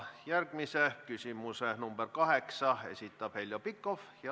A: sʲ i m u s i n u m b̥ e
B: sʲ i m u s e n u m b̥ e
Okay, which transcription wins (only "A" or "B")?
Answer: B